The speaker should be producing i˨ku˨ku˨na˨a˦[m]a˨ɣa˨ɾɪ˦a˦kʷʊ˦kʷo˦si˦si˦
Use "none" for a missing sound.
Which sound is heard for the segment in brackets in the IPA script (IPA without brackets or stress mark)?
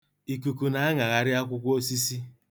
ŋ